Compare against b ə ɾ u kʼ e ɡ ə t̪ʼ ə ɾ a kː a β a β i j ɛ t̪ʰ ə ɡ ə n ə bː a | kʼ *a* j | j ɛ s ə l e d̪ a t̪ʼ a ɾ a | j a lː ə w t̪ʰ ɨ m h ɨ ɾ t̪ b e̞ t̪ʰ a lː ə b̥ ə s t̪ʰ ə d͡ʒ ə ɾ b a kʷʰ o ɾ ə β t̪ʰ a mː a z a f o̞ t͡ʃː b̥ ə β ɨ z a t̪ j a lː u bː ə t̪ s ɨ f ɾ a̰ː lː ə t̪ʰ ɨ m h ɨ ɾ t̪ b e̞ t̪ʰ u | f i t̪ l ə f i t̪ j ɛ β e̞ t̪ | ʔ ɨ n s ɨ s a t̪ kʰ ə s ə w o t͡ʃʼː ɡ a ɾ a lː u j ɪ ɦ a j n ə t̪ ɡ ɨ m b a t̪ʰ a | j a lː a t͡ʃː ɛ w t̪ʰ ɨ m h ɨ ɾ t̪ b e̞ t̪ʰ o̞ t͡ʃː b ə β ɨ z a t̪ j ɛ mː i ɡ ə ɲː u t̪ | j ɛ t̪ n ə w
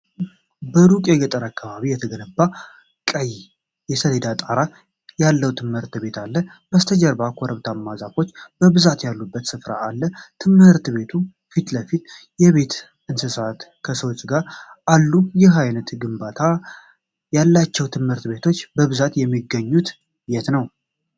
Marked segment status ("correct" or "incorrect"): incorrect